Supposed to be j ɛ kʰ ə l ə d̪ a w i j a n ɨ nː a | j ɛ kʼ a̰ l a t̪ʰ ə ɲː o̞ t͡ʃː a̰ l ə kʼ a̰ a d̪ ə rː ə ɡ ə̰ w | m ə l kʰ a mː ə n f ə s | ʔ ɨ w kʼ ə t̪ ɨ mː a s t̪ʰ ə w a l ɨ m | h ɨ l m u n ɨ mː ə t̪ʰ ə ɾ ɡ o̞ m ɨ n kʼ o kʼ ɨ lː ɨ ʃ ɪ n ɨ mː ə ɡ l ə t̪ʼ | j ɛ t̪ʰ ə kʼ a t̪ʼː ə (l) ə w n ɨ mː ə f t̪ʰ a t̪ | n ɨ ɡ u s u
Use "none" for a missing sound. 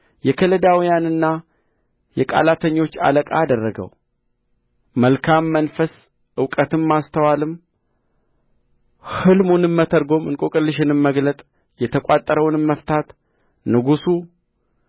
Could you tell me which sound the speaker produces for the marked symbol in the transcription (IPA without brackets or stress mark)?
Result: ɾ